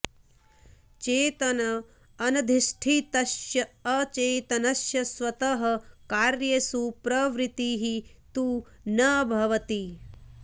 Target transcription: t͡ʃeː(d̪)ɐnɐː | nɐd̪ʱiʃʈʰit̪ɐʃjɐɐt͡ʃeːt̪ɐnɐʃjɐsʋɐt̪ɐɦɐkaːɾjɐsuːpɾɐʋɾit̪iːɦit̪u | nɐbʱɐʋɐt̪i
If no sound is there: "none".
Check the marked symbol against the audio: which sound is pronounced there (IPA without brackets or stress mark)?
t̪